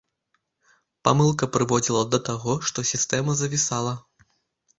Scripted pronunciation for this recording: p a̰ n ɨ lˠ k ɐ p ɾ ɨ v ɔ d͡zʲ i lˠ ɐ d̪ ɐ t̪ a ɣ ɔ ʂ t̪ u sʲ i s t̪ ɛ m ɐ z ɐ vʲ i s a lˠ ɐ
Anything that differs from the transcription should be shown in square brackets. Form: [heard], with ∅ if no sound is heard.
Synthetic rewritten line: p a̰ [m] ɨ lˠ k ɐ p ɾ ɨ v ɔ d͡zʲ i lˠ ɐ d̪ ɐ t̪ a ɣ ɔ ʂ t̪ [ɔ] sʲ i s t̪ ɛ m ɐ z ɐ vʲ i s a lˠ ɐ